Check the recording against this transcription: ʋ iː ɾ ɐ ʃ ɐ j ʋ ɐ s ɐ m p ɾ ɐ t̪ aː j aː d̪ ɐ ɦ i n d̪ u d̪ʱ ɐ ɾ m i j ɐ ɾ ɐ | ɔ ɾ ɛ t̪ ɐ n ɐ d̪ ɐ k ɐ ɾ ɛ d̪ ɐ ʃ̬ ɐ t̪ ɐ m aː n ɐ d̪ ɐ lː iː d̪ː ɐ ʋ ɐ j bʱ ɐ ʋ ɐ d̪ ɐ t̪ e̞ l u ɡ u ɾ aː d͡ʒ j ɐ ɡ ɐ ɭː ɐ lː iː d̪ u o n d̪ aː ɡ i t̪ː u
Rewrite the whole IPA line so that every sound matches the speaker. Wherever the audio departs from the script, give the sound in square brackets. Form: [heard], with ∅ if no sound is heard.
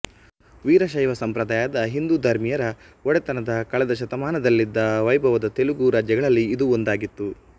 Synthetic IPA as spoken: ʋ iː ɾ ɐ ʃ ɐ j ʋ ɐ s ɐ m p ɾ ɐ [d̪] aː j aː d̪ ɐ ɦ i n d̪ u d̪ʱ ɐ ɾ m i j ɐ ɾ ɐ | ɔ [ɽ] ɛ t̪ ɐ n ɐ d̪ ɐ k ɐ [ɭ] ɛ d̪ ɐ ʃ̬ ɐ t̪ ɐ m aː n ɐ d̪ ɐ lː [i] d̪ː ɐ ʋ ɐ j bʱ ɐ ʋ ɐ d̪ ɐ t̪ e̞ l u ɡ u ɾ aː d͡ʒ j ɐ ɡ ɐ [ɭ] ɐ lː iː d̪ u o n d̪ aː ɡ i t̪ː u